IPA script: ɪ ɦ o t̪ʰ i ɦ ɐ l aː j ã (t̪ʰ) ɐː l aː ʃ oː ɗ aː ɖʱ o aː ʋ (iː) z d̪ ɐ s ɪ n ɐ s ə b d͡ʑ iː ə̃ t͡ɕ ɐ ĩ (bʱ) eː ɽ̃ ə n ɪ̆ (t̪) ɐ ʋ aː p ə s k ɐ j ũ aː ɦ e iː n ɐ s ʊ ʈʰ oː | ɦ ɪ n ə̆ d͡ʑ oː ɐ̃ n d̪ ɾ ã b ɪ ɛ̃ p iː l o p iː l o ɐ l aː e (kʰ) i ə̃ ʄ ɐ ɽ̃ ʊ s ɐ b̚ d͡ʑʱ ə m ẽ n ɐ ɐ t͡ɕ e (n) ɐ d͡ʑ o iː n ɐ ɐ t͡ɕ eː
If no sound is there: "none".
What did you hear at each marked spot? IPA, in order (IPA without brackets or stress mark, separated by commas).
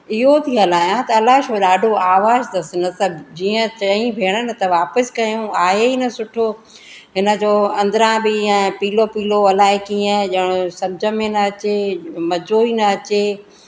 t̪, aː, bʱ, t̪, k, m